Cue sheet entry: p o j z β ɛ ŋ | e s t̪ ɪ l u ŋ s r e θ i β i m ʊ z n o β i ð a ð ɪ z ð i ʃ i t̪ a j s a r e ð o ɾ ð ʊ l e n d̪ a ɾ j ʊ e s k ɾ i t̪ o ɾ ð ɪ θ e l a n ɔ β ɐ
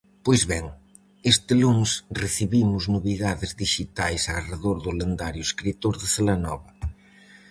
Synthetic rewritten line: p o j z β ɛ ŋ | e s t̪ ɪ l u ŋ s r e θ i β i m ʊ z n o β i ð a ð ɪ z ð i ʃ i t̪ a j s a r e ð o ɾ ð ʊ l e n d̪ a ɾ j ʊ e s k ɾ i t̪ o ɾ ð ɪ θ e l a n ɔ β ɐ